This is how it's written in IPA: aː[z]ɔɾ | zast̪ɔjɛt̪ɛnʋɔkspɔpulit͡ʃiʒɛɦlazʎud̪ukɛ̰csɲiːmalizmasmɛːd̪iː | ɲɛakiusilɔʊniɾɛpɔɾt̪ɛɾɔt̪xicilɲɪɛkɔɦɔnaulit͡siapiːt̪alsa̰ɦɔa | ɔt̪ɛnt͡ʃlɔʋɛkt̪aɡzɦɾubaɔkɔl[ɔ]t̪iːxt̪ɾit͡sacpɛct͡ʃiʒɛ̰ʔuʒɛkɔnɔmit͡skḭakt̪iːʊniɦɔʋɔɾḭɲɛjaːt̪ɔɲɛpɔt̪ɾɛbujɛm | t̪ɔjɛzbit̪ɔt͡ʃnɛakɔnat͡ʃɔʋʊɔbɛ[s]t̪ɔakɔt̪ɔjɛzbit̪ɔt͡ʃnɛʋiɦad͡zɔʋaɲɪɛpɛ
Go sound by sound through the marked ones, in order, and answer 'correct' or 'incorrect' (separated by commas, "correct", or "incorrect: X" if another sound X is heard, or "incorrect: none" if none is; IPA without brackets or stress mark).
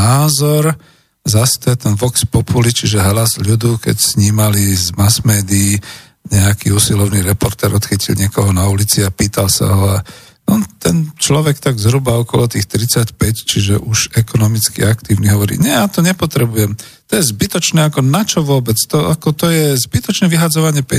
correct, correct, incorrect: t͡s